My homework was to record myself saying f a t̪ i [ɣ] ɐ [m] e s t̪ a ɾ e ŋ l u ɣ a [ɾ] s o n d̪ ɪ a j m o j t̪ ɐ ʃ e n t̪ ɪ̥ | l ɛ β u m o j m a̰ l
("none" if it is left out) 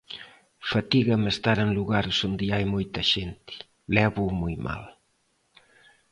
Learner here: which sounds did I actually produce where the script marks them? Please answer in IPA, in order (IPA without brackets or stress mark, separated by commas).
ɣ, m, ɾ